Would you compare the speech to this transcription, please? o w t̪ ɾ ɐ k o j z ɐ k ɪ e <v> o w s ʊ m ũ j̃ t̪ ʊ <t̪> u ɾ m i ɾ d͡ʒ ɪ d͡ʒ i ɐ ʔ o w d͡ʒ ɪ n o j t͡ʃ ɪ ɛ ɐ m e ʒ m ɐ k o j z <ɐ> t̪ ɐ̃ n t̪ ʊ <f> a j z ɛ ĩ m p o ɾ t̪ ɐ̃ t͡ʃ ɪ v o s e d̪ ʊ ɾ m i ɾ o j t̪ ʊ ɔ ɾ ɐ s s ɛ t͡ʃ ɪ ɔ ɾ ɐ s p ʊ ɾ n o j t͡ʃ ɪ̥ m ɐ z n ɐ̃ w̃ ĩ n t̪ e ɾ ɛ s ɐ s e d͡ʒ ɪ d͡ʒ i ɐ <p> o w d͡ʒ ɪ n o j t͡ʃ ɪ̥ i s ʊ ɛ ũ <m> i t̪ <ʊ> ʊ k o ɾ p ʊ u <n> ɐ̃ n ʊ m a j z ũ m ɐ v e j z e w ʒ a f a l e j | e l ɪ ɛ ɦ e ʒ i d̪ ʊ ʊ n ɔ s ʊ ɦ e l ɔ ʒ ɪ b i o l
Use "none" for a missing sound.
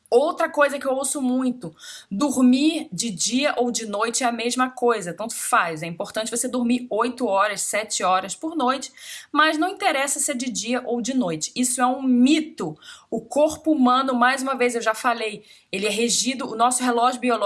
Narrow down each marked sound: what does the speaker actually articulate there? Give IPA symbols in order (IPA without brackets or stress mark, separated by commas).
w, d̪, ɐ, f, ʔ, m, ʊ, m